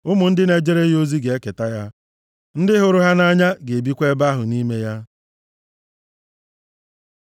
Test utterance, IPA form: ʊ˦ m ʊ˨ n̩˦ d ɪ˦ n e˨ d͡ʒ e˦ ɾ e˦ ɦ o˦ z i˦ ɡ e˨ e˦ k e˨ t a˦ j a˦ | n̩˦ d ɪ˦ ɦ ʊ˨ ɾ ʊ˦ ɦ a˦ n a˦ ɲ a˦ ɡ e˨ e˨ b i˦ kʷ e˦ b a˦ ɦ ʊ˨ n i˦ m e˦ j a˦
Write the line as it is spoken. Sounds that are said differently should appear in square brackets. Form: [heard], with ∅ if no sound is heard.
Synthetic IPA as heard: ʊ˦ m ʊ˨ n̩˦ d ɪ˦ n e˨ d͡ʒ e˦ ɾ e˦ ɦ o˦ z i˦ ɡ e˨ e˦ k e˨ t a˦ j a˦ | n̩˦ d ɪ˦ ɦ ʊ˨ ɾ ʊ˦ ɦ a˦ n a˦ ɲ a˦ ɡ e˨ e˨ b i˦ kʷ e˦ b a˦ ɦ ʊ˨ n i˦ m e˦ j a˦

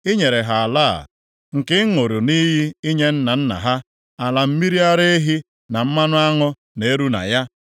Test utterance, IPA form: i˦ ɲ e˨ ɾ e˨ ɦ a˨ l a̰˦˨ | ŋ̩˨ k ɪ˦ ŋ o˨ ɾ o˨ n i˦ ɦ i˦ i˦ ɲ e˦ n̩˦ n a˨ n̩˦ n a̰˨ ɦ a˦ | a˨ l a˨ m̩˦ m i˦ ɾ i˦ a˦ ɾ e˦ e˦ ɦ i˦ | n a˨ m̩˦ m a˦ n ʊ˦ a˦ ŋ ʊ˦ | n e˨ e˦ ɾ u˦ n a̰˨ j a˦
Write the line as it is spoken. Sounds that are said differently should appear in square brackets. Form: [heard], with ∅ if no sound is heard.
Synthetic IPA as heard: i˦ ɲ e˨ ɾ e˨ ɦ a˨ l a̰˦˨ | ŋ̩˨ k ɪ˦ ŋ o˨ ɾ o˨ n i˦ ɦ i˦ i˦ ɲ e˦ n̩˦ n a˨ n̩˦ n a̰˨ ɦ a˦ | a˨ l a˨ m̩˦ m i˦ ɾ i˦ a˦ ɾ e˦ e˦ ɦ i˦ | n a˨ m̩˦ m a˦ n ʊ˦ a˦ ŋ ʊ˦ | n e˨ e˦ ɾ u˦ n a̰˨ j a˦

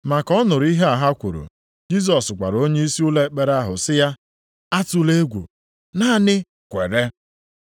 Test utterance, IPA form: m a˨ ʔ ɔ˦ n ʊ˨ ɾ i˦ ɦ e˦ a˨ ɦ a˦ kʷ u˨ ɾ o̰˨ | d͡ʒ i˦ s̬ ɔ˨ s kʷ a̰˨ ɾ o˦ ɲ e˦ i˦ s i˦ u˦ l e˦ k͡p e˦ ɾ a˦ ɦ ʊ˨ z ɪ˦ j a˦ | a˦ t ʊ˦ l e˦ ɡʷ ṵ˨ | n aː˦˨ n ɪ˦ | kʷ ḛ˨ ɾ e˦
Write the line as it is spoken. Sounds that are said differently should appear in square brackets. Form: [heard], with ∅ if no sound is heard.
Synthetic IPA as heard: m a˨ [k] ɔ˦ n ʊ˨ ɾ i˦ ɦ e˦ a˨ ɦ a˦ kʷ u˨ ɾ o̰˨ | d͡ʒ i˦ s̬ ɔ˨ s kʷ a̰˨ ɾ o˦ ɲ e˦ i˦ s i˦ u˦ l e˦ k͡p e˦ ɾ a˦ ɦ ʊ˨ [s] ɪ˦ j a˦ | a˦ t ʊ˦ l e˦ ɡʷ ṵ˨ | n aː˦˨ n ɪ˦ | kʷ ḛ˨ ɾ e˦

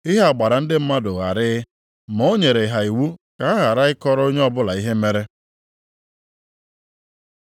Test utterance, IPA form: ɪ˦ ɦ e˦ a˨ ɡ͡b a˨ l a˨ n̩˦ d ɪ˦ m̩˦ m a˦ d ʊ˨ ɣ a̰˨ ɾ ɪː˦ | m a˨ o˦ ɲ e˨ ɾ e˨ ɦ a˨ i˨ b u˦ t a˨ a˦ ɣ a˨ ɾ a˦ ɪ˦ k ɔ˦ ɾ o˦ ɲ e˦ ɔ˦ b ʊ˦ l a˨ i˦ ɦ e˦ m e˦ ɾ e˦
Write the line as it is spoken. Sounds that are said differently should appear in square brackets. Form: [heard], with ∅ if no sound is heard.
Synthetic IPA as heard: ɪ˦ ɦ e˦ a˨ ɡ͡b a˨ [ɾ] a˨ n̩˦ d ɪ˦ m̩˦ m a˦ d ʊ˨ ɣ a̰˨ ɾ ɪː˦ | m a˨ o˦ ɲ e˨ ɾ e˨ ɦ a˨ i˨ [w] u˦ [k] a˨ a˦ ɣ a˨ ɾ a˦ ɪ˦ k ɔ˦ ɾ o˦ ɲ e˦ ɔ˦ b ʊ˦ l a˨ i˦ ɦ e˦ m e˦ ɾ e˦

